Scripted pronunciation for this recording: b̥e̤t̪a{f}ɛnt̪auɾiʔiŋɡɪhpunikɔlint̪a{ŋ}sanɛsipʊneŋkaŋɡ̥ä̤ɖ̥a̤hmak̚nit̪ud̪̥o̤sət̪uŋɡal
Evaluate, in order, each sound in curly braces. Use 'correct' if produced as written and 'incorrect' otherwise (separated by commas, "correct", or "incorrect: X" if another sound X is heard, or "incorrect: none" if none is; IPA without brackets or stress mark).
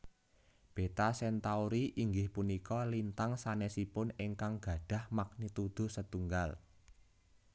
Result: incorrect: s, correct